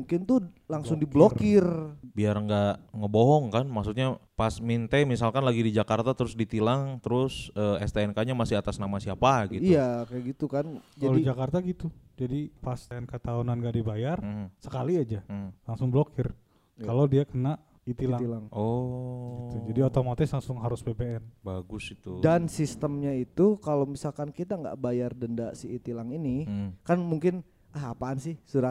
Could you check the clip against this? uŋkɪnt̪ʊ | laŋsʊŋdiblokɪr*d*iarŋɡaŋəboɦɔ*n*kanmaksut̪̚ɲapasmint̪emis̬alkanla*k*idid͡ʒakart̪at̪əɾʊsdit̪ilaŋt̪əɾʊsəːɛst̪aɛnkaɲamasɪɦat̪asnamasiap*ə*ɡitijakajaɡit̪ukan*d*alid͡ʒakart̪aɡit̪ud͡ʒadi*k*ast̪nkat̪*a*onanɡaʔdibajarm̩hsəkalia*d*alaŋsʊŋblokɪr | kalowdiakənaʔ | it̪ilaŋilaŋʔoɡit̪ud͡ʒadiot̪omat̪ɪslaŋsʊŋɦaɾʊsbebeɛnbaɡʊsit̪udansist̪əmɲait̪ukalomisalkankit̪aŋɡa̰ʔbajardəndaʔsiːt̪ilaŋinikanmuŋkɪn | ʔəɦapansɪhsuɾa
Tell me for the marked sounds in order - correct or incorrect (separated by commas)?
incorrect, incorrect, incorrect, incorrect, incorrect, incorrect, correct, incorrect